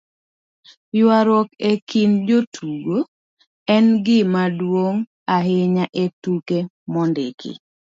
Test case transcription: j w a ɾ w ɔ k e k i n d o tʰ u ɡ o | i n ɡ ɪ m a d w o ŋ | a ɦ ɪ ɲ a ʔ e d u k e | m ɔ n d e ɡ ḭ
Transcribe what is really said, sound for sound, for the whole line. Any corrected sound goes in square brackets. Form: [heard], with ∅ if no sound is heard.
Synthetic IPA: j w a ɾ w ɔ k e k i n [d͡ʒ] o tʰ u ɡ o | [ɛ] n ɡ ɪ m a d w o ŋ | a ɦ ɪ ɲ a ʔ e [t] u k e | m ɔ n d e [k] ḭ